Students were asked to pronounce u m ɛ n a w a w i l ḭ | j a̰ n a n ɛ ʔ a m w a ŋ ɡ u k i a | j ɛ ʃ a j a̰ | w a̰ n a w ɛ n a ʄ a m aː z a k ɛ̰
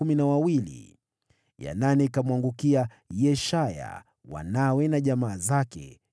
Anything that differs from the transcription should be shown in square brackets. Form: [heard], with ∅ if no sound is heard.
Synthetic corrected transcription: u m [i] n a w a w i l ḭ | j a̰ n a n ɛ [k] a m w a ŋ ɡ u k i a | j ɛ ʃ a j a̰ | w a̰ n a w ɛ n a ʄ a m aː z a k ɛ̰